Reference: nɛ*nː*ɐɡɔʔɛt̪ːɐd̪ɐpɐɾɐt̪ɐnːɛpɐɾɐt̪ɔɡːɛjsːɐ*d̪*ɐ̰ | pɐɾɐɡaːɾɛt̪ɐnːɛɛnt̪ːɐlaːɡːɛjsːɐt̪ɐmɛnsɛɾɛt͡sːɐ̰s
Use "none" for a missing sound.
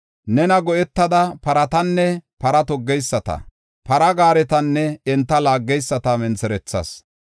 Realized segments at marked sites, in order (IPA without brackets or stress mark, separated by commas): n, t̪